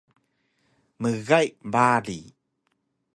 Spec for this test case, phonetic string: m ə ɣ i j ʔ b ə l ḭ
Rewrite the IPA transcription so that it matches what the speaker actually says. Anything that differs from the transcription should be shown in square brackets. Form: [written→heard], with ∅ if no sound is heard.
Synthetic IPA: m ə ɣ [i→a] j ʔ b [ə→a] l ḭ